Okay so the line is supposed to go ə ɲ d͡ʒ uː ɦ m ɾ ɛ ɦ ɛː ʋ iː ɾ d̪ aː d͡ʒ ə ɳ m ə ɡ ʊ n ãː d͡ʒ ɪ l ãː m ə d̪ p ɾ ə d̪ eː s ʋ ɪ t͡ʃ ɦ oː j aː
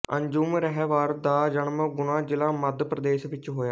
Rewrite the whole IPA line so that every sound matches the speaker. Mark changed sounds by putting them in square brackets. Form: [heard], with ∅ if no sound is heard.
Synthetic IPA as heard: ə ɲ d͡ʒ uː [∅] m ɾ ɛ ɦ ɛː ʋ [aː] ɾ d̪ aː d͡ʒ ə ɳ m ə ɡ ʊ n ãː d͡ʒ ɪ l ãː m ə d̪ p ɾ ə d̪ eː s ʋ ɪ t͡ʃ ɦ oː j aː